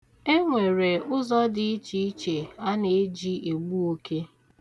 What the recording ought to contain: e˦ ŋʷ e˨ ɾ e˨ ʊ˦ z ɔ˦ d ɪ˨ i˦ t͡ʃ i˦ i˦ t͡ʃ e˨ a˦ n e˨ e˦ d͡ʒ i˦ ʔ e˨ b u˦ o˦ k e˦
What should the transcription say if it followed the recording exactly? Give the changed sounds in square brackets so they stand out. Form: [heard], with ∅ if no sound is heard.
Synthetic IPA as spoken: e˦ ŋʷ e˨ ɾ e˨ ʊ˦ z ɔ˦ d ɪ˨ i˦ t͡ʃ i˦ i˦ t͡ʃ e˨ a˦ n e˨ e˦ d͡ʒ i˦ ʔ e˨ [ɡ͡b] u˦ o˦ k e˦